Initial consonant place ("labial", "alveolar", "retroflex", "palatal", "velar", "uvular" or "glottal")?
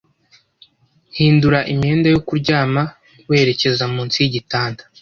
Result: glottal